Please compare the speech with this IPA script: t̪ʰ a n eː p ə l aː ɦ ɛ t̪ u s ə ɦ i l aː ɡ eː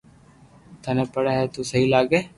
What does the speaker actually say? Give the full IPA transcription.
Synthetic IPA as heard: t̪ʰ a n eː p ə ɽ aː ɦ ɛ t̪ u s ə ɦ i l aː ɡ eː